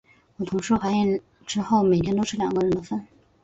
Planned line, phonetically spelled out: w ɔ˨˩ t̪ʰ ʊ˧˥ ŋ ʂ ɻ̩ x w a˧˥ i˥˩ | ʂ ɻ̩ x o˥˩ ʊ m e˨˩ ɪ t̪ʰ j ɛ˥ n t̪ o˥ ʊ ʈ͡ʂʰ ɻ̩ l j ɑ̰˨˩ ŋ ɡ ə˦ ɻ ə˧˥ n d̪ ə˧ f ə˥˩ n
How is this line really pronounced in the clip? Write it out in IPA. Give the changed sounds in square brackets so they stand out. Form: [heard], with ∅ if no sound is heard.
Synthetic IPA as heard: w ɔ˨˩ t̪ʰ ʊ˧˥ ŋ ʂ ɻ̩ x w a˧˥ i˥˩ | [ʈ͡ʂ] ɻ̩ x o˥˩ ʊ m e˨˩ ɪ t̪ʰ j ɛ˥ n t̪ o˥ ʊ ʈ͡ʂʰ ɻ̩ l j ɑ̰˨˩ ŋ ɡ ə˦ ɻ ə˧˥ n d̪ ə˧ f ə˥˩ n